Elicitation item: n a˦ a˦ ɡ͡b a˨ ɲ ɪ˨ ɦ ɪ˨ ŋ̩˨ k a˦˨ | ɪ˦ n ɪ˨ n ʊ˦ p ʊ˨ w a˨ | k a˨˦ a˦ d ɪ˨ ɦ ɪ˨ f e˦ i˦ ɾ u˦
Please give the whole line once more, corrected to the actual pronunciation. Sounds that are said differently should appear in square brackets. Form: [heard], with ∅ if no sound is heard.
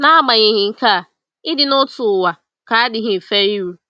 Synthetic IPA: n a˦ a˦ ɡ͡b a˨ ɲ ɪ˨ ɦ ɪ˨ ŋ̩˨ k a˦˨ | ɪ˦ [d] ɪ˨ n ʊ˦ [t] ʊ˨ w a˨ | k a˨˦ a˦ d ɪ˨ ɦ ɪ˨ f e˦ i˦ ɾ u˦